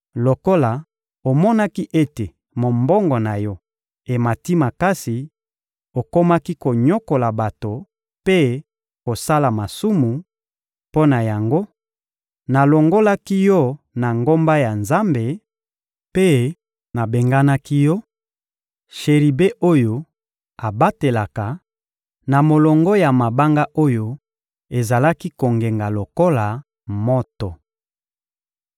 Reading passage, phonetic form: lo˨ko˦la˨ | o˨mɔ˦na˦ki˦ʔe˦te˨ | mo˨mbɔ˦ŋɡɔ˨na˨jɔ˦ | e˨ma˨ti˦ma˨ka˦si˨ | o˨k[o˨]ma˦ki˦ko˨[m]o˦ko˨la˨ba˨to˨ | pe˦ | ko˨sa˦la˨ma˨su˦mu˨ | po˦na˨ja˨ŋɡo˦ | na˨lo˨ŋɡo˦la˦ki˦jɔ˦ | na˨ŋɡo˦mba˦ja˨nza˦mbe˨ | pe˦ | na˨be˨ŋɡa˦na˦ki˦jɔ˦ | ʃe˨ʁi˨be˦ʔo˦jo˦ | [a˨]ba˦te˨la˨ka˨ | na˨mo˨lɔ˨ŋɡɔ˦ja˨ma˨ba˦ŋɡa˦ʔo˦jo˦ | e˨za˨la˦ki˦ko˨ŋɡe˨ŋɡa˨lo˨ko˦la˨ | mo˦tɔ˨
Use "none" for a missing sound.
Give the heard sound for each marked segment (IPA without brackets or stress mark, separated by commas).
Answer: o˦, ɲ, a˨